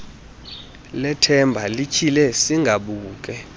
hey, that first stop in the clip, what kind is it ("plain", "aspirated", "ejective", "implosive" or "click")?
aspirated